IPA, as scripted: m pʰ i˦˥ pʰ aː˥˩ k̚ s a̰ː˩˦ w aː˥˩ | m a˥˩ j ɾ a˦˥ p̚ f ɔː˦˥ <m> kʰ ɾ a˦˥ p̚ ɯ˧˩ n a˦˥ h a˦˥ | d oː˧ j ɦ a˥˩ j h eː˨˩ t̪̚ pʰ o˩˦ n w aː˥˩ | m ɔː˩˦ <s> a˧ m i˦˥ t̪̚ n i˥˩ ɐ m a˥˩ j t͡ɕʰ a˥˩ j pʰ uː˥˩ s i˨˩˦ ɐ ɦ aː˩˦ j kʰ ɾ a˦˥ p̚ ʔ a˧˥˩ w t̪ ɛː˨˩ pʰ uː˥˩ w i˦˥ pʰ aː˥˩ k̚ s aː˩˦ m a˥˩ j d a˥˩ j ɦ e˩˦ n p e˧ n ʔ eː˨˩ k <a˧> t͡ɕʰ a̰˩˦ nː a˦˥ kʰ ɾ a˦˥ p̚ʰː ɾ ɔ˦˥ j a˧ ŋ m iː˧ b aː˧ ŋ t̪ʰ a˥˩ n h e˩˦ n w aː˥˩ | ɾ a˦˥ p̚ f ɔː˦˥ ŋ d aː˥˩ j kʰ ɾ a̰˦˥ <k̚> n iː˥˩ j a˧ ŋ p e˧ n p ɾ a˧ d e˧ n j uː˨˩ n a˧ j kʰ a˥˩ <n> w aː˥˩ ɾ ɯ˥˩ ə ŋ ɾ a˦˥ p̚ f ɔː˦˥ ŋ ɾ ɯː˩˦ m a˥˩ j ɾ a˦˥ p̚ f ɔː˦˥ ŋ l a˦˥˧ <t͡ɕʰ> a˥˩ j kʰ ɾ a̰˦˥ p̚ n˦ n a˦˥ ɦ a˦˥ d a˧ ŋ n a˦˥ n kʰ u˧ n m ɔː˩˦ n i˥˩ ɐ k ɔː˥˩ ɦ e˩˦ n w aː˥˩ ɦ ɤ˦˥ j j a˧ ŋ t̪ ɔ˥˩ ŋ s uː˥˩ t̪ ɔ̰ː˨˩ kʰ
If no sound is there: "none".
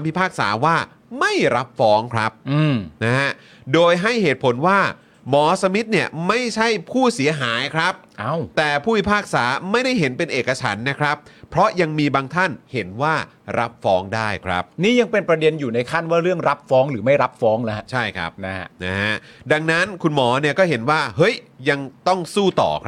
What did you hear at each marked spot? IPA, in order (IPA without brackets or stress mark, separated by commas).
ŋ, s, a˧, p̚, n, t͡ɕʰ